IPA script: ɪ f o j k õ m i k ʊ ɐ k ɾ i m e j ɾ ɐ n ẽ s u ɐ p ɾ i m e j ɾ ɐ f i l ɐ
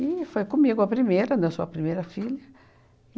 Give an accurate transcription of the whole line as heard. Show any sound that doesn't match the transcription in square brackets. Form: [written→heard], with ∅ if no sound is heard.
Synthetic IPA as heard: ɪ f o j k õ m i [k→ɡ] ʊ ɐ [k→p] ɾ i m e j ɾ ɐ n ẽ s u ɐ p ɾ i m e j ɾ ɐ f i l ɐ